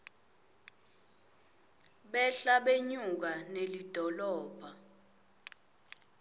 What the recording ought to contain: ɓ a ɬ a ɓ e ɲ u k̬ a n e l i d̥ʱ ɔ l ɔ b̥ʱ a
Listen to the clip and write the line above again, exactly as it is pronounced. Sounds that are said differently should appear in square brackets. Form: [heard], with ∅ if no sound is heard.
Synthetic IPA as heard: ɓ [ɛ] ɬ a ɓ e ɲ u k̬ a n e l i d̥ʱ ɔ l [ɔː] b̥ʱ a